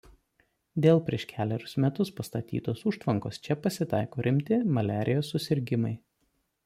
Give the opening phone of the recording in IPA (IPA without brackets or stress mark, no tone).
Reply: d̪ʲ